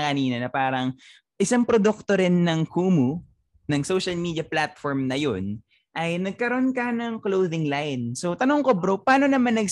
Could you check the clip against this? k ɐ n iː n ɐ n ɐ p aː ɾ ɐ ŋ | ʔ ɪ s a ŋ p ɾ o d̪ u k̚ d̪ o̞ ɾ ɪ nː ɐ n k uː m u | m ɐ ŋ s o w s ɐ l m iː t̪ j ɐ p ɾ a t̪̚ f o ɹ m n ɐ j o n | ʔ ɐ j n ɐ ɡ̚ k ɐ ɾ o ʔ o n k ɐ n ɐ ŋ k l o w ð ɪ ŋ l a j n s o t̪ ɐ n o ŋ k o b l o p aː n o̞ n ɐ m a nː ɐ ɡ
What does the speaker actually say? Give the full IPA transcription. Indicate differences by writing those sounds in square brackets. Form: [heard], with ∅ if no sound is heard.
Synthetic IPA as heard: k ɐ n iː n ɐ n ɐ p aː ɾ ɐ ŋ | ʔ ɪ s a ŋ p ɾ o d̪ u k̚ [t̪] o̞ ɾ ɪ nː ɐ [ŋ] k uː m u | [n] ɐ ŋ s o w [ʃ] ɐ l m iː [d̪] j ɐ p [l] a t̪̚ f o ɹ m n ɐ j o n | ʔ ɐ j n ɐ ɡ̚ k ɐ ɾ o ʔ o n k ɐ n ɐ ŋ k l o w ð ɪ ŋ l a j n s o t̪ ɐ n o ŋ k o b [ɾ] o p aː n o̞ n ɐ m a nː ɐ ɡ